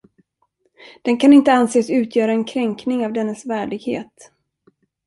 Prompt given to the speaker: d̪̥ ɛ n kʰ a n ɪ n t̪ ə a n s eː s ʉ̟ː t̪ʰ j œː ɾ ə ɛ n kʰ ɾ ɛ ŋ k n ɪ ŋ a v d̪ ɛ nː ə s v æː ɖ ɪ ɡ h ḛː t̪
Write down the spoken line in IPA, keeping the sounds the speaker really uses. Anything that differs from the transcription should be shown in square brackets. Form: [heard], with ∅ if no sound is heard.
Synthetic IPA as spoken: d̪̥ ɛ n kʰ a n ɪ n t̪ ə a n s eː s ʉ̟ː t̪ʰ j œː ɾ [a] ɛ n kʰ ɾ ɛ ŋ k n ɪ ŋ a v d̪ ɛ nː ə s v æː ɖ ɪ ɡ h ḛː t̪